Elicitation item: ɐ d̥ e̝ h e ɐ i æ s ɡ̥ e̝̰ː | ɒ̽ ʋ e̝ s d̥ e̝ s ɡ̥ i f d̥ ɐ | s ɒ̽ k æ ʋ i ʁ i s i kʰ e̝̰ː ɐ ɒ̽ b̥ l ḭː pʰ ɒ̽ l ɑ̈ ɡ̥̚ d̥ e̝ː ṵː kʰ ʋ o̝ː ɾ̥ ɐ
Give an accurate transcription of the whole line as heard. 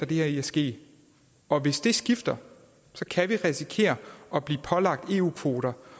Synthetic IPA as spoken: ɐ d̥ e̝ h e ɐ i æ s ɡ̥ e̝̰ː | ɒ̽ ʋ e̝ s d̥ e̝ s ɡ̥ i f d̥ ɐ | s ɒ̽ kʰ æ ʋ i ʁ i s i kʰ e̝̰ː ɐ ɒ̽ b̥ l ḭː pʰ ɒ̽ l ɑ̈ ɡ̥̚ d̥ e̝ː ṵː kʰ ʋ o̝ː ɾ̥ ɐ